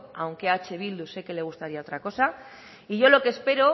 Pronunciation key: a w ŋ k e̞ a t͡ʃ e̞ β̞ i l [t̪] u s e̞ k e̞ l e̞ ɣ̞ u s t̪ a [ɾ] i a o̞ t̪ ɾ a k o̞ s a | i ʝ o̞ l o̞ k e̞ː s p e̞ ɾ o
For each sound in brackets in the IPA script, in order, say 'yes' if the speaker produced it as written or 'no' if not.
no, yes

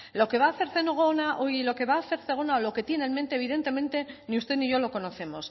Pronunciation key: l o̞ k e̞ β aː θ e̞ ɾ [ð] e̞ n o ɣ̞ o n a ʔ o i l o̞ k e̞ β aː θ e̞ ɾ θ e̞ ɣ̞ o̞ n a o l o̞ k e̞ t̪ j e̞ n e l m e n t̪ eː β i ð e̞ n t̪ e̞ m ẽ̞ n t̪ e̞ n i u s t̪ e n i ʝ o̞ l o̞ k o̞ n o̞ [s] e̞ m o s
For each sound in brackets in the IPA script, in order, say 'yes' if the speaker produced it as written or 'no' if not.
no, no

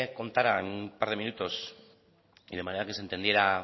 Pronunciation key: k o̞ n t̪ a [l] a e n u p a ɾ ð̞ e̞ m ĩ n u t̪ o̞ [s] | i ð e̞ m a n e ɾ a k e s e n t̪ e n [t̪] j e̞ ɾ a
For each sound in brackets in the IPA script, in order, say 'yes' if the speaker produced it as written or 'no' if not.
no, yes, no

